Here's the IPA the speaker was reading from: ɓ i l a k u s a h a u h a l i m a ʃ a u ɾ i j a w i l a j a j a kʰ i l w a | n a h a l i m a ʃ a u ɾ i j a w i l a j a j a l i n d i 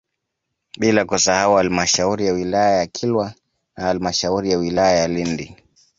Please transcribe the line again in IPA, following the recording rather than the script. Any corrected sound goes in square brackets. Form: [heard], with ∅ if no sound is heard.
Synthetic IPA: ɓ i l a k u s a h a u h a l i m a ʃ a u ɾ i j a w i l a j a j a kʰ i l w a | n a h a l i m a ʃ a u ɾ i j a w i l a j a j a l i n d i